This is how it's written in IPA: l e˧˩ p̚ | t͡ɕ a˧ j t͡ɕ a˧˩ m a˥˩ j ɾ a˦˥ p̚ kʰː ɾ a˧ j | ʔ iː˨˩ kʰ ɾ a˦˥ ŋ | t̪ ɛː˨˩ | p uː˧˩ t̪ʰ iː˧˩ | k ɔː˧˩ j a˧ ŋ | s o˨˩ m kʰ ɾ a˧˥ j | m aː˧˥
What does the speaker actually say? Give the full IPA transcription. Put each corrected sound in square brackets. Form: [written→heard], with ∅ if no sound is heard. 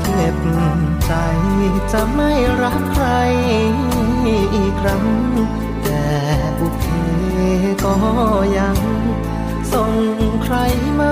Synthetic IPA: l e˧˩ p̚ | t͡ɕ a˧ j t͡ɕ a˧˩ m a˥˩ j ɾ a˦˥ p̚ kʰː ɾ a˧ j | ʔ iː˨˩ kʰ ɾ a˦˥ ŋ | t̪ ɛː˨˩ | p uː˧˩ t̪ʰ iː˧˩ | k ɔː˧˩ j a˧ ŋ | s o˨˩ [m→ŋ] kʰ ɾ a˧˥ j | m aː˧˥